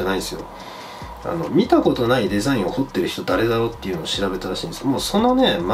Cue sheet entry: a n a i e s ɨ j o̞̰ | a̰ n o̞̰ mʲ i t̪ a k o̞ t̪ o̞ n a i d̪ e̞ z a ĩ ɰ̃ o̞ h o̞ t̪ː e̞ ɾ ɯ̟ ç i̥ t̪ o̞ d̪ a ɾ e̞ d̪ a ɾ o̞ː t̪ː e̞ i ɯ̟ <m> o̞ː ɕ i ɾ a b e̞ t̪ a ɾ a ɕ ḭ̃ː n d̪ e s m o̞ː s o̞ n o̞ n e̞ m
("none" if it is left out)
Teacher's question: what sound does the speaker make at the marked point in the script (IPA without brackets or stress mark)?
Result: n